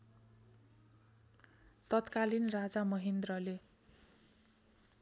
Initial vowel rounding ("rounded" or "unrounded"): unrounded